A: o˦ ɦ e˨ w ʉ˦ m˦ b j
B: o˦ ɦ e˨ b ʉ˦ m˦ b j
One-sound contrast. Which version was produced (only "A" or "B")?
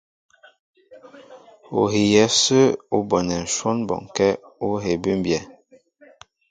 B